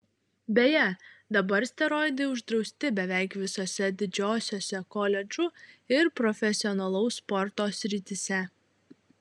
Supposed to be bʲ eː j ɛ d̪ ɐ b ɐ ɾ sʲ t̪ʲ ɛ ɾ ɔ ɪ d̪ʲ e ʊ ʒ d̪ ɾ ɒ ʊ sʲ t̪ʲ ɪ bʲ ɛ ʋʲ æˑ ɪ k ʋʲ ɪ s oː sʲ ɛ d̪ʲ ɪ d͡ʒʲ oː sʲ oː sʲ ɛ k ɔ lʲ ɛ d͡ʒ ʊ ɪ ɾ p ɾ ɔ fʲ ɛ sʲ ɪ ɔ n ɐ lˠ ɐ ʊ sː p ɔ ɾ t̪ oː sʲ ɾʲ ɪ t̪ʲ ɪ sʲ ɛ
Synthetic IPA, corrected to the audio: bʲ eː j ɛ d̪ ɐ b ɐ ɾ sʲ t̪ʲ ɛ ɾ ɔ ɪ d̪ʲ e ʊ ʒ d̪ ɾ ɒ ʊ sʲ t̪ʲ ɪ bʲ ɛ ʋʲ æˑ ɪ k ʋʲ ɪ s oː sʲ ɛ d̪ʲ ɪ d͡ʒʲ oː sʲ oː sʲ ɛ k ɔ lʲ ɛ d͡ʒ ʊ ɪ ɾ p ɾ ɔ fʲ ɛ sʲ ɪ ɔ n ɐ lˠ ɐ ʊ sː p ɔ ɾ t̪ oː sʲ ɾʲ ɪ t̪ʲ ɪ sʲ ɛ